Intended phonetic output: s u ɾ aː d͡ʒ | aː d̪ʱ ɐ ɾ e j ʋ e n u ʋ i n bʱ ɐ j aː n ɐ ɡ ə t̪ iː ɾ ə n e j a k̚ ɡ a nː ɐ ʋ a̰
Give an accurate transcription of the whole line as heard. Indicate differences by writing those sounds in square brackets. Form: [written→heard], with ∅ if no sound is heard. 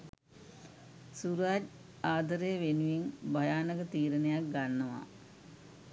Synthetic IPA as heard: s u ɾ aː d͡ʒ | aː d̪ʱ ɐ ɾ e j ʋ e n u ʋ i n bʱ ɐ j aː n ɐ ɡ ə t̪ iː ɾ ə n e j a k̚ ɡ a nː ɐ ʋ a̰